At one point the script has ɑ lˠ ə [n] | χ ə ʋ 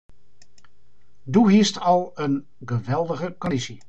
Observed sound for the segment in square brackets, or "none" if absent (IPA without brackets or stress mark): n